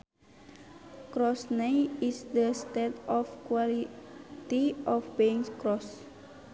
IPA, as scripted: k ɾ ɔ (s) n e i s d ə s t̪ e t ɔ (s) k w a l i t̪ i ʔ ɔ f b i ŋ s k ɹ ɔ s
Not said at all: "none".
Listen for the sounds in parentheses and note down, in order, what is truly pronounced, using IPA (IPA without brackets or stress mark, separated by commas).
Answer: s, f